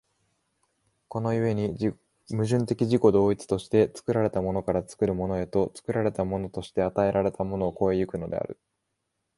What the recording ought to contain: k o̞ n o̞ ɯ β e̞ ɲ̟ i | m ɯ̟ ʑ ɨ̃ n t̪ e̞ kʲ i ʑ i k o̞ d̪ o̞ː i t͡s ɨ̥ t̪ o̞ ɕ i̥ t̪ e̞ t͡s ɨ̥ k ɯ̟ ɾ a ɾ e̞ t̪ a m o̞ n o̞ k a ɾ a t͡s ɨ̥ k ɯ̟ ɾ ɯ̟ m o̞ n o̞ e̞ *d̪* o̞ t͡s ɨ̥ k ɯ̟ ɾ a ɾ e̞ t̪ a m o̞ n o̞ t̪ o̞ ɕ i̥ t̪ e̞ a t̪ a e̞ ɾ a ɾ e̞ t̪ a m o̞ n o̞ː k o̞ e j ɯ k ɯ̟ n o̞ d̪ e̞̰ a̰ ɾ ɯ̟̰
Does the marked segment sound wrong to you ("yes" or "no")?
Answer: yes